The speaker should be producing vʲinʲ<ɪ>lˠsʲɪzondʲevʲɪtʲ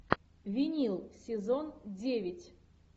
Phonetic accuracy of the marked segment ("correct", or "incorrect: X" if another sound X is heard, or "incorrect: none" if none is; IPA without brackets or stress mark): incorrect: i